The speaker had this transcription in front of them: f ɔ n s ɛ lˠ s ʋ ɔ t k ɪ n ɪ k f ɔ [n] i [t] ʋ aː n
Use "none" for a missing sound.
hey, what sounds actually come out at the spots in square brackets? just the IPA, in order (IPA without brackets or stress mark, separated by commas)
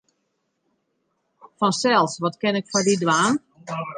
d, d